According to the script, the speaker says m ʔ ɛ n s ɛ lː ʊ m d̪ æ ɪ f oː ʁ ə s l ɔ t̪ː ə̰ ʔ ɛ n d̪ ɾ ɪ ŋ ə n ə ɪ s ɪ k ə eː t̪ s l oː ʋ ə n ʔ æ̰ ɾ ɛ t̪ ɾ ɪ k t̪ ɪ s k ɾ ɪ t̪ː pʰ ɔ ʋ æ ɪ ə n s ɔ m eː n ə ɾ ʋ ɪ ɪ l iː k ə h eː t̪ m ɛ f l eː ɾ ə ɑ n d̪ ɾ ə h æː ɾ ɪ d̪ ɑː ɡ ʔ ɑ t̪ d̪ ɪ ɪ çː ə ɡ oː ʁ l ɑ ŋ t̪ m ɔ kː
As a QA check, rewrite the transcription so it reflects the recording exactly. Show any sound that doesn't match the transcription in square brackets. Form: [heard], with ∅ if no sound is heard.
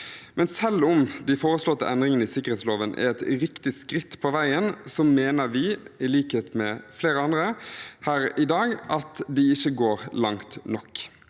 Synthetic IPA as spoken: m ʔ ɛ n s ɛ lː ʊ m d̪ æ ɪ f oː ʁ ə s l ɔ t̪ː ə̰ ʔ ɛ n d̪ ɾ ɪ ŋ ə n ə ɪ s ɪ k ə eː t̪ s l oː ʋ ə n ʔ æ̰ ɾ ɛ t̪ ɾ ɪ k t̪ ɪ s k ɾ ɪ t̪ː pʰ ɔ ʋ æ ɪ ə n s ɔ m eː n ə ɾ ʋ ɪ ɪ l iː k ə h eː t̪ m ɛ f l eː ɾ ə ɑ n d̪ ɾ ə h æː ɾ ɪ d̪ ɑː ɡ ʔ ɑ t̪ d̪ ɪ ɪ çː ə ɡ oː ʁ l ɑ ŋ t̪ [n] ɔ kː